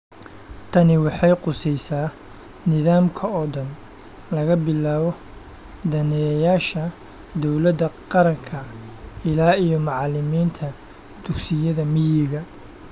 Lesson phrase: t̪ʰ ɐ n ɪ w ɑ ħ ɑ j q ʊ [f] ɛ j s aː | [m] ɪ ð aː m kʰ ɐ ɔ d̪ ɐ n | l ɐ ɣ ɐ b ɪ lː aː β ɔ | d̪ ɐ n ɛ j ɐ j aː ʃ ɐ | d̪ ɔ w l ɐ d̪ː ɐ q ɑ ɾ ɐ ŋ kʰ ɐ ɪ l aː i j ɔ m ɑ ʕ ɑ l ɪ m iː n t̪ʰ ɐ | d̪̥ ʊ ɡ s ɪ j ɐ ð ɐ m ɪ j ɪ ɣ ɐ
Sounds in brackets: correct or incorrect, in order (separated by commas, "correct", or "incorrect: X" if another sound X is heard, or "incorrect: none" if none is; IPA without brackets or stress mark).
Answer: incorrect: s, incorrect: n